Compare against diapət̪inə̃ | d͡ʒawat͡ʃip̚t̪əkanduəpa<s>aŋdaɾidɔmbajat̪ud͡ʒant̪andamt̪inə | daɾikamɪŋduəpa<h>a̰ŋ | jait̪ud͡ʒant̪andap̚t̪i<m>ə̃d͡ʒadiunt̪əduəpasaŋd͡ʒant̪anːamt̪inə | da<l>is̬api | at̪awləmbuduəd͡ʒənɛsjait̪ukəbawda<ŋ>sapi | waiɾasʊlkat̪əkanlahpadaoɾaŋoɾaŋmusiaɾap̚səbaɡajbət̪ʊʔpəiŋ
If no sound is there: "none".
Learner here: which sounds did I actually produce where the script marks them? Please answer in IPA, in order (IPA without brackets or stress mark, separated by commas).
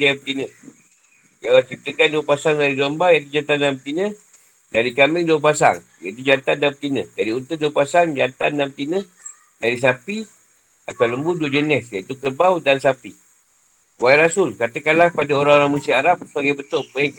s, s, n, ɾ, n